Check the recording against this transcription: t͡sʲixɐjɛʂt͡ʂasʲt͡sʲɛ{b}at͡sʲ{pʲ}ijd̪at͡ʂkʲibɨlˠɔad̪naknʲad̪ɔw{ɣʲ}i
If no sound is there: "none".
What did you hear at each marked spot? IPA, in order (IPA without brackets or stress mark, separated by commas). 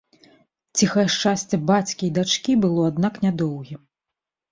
b, kʲ, ɣʲ